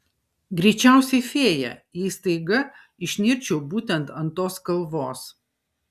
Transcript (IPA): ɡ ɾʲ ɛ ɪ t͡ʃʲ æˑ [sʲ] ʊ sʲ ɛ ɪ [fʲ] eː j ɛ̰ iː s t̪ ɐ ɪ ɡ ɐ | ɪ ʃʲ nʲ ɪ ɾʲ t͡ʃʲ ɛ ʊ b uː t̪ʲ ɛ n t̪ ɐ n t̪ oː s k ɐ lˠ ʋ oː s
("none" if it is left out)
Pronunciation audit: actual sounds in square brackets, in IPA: none, fʲ

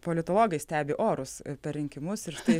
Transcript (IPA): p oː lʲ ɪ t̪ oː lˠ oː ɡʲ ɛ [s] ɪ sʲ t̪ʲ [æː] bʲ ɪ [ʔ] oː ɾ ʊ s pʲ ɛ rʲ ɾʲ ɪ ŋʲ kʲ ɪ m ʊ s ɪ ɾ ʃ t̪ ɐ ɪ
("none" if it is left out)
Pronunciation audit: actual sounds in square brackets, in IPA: none, æː, ʔ

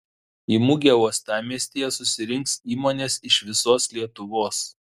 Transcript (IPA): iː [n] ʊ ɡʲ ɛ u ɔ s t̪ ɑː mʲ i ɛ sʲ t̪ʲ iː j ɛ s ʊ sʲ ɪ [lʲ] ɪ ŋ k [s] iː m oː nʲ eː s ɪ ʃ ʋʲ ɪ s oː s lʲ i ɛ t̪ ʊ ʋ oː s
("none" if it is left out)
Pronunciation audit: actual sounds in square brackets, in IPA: m, ɾʲ, s

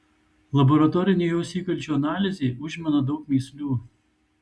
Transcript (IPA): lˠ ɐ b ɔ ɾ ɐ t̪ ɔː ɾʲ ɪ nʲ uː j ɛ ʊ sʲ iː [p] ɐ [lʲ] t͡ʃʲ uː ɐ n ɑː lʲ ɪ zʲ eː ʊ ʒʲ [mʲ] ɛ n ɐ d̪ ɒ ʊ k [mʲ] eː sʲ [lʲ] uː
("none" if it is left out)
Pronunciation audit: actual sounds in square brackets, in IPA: k, lʲ, mʲ, mʲ, lʲ

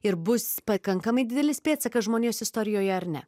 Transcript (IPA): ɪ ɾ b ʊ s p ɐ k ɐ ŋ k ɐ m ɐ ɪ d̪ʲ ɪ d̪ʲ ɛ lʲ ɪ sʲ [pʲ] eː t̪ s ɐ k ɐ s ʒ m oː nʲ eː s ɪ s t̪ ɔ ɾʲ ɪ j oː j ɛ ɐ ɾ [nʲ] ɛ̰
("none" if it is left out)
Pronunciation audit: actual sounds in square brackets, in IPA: pʲ, nʲ

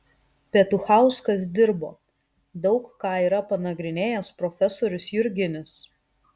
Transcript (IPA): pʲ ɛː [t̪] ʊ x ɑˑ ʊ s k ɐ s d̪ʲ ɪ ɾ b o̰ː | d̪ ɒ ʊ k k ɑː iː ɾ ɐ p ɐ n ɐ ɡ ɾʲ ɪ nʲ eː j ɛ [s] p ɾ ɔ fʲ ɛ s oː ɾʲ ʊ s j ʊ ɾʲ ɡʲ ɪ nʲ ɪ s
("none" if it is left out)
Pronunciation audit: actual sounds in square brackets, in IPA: t̪, s

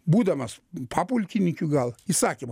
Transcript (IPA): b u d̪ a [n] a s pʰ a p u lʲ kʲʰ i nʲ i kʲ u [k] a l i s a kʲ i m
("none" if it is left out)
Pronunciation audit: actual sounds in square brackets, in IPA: m, ɡ

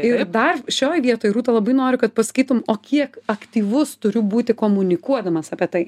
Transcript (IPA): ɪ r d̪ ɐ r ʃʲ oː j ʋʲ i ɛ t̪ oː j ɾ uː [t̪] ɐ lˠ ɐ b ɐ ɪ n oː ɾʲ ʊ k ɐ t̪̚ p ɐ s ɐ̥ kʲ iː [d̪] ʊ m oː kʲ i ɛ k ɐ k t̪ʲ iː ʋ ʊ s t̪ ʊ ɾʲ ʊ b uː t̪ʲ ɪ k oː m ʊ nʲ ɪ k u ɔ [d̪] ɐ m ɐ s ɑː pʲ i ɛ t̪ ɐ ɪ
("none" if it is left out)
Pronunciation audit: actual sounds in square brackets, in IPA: t̪, t̪, d̪

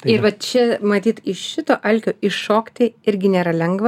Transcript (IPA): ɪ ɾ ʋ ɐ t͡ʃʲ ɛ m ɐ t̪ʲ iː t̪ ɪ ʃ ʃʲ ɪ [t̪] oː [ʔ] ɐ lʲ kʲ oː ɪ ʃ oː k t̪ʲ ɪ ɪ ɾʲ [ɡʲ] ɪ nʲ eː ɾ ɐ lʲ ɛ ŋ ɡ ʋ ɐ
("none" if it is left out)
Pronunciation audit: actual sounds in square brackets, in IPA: t̪, ʔ, ɡʲ

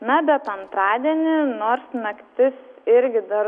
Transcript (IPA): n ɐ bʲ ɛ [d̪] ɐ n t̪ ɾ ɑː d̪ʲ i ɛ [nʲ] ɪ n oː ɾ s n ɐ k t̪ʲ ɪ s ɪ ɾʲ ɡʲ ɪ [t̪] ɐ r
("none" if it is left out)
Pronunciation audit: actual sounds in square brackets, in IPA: t̪, nʲ, d̪

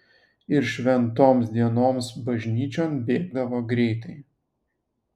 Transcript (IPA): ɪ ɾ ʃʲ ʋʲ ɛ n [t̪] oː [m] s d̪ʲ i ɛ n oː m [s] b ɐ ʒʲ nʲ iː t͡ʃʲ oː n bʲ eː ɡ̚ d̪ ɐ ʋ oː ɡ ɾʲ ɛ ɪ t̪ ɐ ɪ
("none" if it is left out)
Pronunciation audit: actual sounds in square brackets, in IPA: t̪, m, s

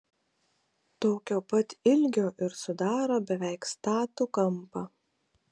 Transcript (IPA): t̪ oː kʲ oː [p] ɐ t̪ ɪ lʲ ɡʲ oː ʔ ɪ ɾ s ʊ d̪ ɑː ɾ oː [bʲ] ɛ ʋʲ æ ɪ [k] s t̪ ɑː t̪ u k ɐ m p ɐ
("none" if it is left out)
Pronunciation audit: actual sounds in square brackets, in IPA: p, bʲ, k

